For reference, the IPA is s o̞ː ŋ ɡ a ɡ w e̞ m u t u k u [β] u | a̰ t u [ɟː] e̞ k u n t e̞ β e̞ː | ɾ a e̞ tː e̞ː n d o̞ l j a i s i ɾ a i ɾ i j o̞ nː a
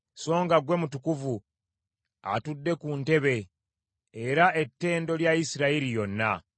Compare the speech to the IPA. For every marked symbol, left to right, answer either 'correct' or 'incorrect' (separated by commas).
incorrect, incorrect